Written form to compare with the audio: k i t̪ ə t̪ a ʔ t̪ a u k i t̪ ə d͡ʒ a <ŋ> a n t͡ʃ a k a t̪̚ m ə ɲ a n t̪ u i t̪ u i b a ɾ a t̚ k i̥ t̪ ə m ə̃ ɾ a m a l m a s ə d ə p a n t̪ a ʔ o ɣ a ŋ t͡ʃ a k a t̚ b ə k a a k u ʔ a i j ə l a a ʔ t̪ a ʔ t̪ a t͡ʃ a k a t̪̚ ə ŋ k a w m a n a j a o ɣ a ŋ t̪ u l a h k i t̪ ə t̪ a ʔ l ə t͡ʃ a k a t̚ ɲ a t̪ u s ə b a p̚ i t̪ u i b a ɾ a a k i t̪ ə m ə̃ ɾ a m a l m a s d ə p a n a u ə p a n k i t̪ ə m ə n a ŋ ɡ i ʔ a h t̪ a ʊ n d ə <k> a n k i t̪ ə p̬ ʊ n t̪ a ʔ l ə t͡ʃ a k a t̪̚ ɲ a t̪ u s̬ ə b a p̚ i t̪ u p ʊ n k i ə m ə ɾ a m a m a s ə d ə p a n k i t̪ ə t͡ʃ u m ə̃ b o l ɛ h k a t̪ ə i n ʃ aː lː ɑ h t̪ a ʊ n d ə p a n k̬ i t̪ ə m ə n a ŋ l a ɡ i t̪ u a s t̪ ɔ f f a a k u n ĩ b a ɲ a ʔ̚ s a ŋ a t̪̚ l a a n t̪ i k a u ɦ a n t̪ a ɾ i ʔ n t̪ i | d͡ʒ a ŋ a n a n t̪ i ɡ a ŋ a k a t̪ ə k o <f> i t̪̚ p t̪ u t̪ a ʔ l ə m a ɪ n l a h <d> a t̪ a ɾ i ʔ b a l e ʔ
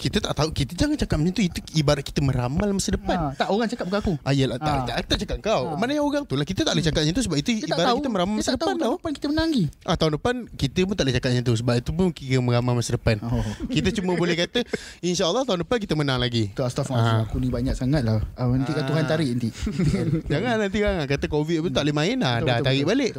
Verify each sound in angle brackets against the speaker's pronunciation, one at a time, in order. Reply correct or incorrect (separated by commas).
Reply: correct, incorrect, incorrect, correct